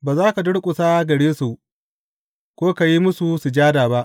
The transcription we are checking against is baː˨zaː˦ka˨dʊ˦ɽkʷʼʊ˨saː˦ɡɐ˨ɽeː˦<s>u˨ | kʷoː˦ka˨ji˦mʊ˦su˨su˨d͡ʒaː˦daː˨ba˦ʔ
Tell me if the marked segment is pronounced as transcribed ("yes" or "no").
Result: yes